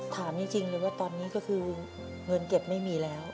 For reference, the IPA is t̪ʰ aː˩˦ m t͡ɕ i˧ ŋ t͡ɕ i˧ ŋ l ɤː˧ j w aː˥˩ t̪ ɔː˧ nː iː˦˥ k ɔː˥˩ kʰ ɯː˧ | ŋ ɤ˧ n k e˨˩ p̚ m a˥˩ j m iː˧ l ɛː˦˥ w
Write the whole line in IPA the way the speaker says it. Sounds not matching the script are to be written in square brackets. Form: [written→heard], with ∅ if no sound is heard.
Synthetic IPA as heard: t̪ʰ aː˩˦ m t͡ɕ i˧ ŋ t͡ɕ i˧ ŋ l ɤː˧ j w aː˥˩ t̪ ɔː˧ nː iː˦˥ k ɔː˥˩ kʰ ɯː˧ | ŋ ɤ˧ n k e˨˩ p̚ m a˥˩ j m iː˧ l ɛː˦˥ w